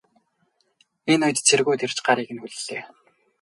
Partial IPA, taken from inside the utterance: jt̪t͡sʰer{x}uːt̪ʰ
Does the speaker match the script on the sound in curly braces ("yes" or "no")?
no